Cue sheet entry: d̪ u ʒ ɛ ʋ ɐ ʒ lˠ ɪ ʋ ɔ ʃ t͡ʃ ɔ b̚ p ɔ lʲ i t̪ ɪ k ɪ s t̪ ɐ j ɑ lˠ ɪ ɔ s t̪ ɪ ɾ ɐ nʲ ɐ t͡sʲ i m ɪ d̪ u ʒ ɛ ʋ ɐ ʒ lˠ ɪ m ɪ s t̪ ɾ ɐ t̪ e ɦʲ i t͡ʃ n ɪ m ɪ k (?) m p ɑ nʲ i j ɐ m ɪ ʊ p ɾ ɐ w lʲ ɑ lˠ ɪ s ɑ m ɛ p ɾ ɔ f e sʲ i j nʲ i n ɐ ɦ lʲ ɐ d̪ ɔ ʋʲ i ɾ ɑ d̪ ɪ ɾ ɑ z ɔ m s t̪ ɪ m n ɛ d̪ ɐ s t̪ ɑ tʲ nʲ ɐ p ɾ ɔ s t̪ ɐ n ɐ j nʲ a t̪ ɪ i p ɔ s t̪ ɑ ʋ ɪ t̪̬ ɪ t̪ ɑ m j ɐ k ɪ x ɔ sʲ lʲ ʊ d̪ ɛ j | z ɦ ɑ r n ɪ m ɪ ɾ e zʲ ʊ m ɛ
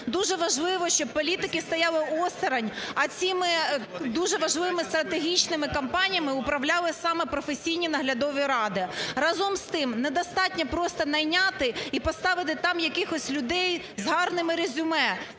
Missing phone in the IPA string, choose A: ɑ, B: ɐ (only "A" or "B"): B